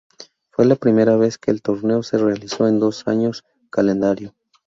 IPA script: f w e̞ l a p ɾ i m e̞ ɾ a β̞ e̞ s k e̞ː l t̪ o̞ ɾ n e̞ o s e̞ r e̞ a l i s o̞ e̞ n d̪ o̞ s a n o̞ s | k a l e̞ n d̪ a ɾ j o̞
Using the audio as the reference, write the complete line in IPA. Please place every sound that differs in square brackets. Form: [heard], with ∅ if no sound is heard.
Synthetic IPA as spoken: f w e̞ l a p ɾ i m e̞ ɾ a β̞ e̞ s k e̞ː l t̪ o̞ ɾ n e̞ o s e̞ r e̞ a l i s o̞ e̞ n d̪ o̞ s a [ɲ] o̞ s | k a l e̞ n d̪ a ɾ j o̞